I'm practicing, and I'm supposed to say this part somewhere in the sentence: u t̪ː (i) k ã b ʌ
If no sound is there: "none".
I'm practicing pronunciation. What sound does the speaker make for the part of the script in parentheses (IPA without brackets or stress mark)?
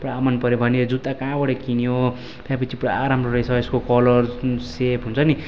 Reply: a